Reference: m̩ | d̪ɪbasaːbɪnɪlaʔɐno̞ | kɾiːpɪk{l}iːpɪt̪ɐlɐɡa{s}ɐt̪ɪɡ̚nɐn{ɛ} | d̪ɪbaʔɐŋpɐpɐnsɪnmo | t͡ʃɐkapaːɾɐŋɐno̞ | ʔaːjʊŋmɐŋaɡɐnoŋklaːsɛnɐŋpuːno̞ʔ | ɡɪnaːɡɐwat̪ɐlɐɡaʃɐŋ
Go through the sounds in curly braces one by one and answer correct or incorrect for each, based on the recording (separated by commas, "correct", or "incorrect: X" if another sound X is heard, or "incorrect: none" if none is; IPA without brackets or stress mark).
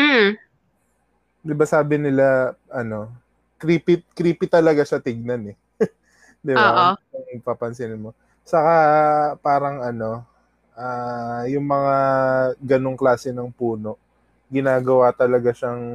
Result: incorrect: ɾ, incorrect: ʃ, correct